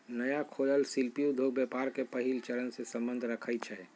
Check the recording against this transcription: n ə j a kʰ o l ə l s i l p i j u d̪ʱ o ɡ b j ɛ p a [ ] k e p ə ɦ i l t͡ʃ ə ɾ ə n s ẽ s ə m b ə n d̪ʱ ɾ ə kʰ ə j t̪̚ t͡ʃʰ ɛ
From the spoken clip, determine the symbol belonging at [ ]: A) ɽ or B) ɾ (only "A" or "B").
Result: B